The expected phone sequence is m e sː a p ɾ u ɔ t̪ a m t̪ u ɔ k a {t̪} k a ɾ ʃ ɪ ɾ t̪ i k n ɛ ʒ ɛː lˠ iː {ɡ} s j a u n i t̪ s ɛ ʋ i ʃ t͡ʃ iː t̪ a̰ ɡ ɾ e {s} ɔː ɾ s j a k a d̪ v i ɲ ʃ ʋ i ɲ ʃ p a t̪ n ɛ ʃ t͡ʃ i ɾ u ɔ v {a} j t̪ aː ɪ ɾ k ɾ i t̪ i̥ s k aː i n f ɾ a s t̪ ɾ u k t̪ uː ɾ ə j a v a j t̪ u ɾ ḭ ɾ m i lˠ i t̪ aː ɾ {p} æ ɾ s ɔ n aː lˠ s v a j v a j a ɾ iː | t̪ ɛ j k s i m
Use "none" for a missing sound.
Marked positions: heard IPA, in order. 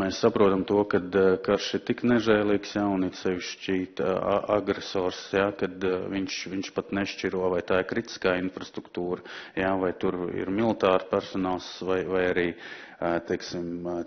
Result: d̪, k, s, a, p

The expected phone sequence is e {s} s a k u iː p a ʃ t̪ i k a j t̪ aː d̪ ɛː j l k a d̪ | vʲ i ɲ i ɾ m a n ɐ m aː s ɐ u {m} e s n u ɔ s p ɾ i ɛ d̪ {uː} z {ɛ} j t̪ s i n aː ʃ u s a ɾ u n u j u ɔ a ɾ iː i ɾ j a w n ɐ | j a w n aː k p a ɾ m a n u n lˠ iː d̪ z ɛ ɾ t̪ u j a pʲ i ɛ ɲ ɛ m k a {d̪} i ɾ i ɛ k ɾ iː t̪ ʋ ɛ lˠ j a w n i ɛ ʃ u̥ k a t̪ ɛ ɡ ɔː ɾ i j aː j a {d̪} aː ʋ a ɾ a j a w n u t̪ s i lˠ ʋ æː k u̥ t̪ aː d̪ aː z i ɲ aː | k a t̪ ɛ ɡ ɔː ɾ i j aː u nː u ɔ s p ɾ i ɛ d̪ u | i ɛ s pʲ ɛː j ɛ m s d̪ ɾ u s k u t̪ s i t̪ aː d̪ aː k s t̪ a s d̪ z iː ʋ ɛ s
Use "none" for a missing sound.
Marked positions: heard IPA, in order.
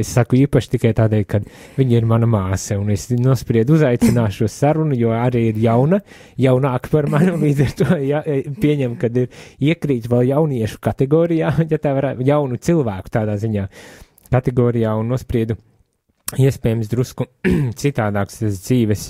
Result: s, n, u, a, d̪, t̪

